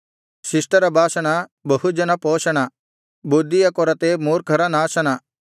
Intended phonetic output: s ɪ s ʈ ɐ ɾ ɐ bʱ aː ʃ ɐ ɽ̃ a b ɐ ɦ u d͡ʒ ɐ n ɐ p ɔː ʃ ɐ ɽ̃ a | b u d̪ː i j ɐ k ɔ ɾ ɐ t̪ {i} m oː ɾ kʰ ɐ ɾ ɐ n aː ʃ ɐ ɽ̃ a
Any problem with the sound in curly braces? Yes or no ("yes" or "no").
yes